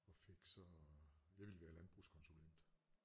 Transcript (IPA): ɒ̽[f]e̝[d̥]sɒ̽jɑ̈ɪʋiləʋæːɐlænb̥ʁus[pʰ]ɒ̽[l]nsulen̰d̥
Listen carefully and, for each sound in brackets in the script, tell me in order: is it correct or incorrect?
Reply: correct, incorrect, incorrect, incorrect

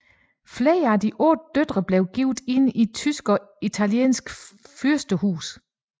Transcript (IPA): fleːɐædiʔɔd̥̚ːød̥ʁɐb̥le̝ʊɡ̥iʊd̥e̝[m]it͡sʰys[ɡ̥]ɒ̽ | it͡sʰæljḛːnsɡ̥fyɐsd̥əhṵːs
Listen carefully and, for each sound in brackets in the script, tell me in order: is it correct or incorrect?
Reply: incorrect, correct

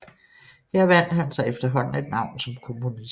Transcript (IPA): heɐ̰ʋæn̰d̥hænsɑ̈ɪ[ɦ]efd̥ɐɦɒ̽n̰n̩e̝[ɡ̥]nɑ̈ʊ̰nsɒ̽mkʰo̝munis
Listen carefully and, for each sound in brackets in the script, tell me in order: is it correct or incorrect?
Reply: incorrect, incorrect

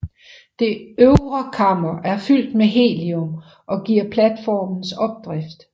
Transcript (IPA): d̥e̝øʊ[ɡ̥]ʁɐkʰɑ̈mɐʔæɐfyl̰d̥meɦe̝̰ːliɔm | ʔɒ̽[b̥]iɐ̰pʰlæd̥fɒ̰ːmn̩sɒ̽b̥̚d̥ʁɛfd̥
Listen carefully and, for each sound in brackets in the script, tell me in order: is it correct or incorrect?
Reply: incorrect, incorrect

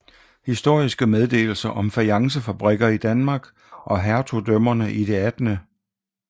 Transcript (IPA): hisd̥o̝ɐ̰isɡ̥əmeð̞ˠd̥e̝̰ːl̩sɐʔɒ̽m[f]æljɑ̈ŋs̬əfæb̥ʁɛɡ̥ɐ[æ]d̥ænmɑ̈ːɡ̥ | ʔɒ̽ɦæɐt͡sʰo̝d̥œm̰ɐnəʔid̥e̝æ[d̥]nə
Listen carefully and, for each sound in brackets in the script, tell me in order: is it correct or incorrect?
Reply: correct, incorrect, correct

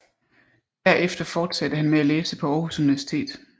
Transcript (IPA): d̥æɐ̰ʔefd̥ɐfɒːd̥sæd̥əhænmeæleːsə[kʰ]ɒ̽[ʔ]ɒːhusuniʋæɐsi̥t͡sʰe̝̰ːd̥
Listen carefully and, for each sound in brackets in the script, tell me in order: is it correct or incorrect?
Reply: incorrect, incorrect

